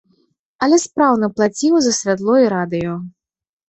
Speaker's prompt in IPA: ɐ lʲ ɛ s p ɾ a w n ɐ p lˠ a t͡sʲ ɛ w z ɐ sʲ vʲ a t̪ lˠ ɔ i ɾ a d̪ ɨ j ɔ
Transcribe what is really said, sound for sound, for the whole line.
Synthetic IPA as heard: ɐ lʲ ɛ s p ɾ a w n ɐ p lˠ a t͡sʲ i w z ɐ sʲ vʲ a t̪ lˠ ɔ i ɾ a d̪ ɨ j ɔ